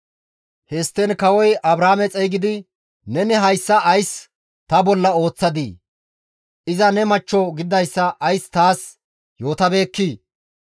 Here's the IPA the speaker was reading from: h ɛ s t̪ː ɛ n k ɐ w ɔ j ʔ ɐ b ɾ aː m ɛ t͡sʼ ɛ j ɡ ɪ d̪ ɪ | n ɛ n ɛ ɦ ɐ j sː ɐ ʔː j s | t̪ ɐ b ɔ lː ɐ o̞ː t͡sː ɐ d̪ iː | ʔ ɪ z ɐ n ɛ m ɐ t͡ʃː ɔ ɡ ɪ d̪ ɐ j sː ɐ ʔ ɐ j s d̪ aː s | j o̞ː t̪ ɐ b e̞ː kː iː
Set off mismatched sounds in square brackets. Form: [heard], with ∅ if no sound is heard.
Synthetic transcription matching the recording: h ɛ s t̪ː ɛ n k ɐ w ɔ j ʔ ɐ b ɾ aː m ɛ t͡sʼ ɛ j ɡ ɪ d̪ ɪ | n ɛ n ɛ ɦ ɐ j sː ɐ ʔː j s | t̪ ɐ b ɔ lː ɐ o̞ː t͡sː ɐ d̪ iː | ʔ ɪ z ɐ n ɛ m ɐ t͡ʃː ɔ ɡ ɪ d̪ ɐ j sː ɐ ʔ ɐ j s [t̪] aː s | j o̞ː t̪ ɐ b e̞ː kː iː